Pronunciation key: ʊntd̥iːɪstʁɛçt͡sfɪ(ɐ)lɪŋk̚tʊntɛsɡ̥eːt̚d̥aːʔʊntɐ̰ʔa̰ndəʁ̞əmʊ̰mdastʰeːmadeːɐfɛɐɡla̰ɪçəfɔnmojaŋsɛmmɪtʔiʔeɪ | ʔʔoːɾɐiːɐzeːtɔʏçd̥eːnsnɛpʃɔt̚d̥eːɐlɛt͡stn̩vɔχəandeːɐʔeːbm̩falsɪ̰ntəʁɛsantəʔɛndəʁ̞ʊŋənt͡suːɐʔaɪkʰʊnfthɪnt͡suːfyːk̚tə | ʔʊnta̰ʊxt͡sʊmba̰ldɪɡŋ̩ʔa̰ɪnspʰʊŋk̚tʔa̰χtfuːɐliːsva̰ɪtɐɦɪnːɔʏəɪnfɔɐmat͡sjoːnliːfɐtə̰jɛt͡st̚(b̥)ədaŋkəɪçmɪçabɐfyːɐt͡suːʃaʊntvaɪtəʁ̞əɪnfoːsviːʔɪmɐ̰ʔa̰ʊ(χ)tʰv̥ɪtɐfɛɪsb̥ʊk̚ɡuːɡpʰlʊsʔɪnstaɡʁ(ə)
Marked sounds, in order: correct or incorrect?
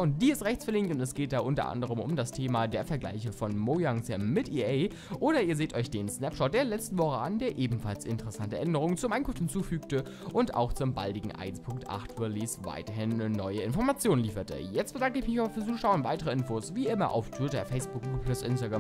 correct, correct, incorrect: f, incorrect: a

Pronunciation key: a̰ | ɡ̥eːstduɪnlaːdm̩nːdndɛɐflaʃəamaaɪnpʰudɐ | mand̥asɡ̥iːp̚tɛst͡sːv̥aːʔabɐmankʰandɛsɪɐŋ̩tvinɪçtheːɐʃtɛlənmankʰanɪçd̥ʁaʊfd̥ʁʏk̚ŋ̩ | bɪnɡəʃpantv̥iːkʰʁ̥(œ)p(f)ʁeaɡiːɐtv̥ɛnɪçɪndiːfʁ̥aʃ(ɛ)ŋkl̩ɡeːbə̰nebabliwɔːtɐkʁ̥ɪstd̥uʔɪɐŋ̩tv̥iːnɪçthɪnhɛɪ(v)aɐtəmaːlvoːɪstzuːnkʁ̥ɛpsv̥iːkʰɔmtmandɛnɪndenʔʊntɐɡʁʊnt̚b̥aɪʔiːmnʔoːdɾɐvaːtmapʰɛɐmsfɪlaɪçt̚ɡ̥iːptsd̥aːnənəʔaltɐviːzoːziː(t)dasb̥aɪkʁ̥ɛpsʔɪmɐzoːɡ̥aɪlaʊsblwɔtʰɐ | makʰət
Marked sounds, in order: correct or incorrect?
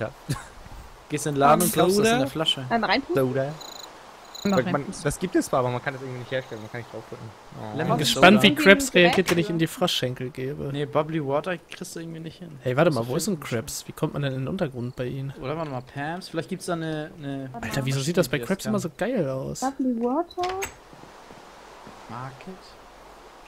incorrect: ɛ, incorrect: s, correct, correct, correct

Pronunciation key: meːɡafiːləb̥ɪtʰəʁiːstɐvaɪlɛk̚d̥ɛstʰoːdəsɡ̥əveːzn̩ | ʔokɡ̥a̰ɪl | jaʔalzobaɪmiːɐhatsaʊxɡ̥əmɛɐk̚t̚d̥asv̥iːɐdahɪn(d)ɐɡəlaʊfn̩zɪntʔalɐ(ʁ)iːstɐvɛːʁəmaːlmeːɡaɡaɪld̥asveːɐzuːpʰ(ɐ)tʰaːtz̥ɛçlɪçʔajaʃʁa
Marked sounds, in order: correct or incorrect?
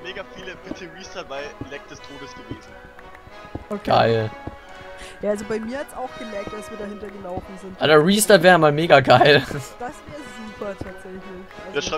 incorrect: t, correct, correct

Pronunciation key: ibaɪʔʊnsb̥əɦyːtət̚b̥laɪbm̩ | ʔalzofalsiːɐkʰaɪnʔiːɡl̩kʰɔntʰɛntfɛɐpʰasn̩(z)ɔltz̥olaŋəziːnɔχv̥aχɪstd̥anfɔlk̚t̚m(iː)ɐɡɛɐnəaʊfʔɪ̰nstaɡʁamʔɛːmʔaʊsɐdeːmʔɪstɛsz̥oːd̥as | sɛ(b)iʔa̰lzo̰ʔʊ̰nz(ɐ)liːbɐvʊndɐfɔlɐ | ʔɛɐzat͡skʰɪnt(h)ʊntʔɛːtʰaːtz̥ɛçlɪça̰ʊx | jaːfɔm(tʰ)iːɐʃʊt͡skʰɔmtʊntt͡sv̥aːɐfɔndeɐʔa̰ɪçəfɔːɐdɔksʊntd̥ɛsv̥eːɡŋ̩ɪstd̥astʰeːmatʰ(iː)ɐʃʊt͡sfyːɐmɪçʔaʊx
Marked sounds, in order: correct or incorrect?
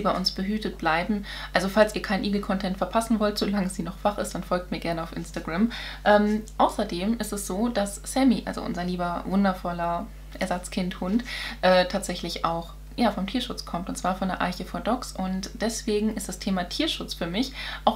incorrect: v, correct, incorrect: m, correct, correct, correct, correct

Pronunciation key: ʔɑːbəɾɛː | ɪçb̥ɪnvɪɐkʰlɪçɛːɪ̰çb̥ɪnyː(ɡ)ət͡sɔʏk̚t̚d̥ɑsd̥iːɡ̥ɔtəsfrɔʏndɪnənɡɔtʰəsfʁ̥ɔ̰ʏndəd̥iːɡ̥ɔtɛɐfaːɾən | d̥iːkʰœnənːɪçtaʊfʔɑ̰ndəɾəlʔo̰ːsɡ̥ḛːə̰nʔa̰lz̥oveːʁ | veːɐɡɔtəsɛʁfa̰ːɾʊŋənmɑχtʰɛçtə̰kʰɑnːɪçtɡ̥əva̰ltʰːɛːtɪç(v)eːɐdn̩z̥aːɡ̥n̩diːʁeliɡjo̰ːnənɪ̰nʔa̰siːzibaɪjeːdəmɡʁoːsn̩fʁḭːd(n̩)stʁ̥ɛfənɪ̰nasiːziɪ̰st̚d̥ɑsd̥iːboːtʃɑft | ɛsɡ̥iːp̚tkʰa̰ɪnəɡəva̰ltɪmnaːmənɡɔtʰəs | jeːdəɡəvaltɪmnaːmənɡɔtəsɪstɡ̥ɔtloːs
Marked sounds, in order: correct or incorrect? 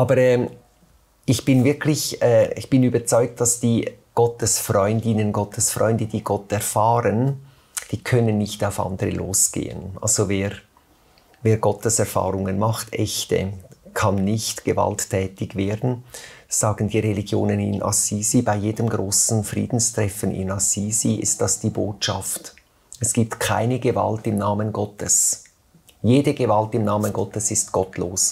incorrect: b, correct, correct

